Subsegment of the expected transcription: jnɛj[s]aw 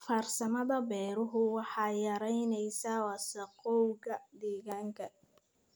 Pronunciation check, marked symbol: correct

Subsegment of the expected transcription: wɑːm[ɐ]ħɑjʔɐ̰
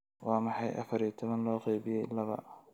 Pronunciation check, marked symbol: incorrect: ɑ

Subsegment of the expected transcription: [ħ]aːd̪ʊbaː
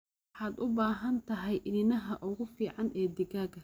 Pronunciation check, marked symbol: correct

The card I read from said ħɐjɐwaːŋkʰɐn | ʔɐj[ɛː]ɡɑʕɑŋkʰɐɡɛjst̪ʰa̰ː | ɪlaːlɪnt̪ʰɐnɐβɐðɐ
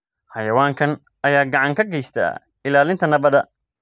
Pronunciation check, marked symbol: incorrect: aː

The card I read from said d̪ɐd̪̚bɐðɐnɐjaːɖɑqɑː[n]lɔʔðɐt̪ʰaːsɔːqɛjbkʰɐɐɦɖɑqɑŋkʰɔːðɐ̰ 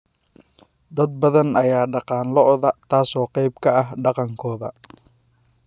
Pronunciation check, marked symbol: correct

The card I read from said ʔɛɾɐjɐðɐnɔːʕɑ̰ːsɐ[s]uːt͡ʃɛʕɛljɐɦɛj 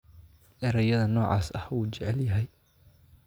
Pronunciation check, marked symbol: incorrect: h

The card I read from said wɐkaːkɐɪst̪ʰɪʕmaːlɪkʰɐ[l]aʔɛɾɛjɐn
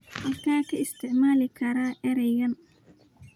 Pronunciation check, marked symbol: incorrect: ɾ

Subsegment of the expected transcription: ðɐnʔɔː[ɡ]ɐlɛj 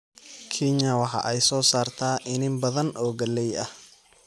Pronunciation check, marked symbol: correct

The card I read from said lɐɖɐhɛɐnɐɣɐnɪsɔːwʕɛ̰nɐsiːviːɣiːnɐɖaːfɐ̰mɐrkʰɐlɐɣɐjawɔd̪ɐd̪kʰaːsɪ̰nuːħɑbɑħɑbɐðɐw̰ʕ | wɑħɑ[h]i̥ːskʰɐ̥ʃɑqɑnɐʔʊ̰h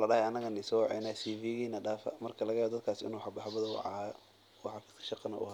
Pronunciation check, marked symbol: incorrect: f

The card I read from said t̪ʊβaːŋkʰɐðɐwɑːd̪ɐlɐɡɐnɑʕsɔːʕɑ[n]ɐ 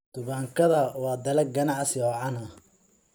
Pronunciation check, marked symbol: correct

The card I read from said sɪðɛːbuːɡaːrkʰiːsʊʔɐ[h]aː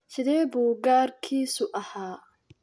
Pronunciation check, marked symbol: correct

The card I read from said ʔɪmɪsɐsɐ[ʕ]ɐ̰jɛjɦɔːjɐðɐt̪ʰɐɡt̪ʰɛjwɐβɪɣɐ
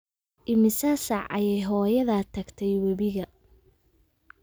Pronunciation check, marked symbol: correct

